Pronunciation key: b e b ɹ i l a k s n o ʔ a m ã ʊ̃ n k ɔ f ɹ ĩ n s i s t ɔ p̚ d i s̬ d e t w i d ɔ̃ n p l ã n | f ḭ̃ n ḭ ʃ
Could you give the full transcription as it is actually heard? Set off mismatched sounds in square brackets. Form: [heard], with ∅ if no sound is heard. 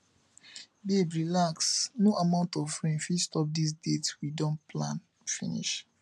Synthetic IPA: b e b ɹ i l a k s n o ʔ a m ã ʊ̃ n [t] ɔ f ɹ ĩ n [f] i s t ɔ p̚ d i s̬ d e t w i d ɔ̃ n p l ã n | f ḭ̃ n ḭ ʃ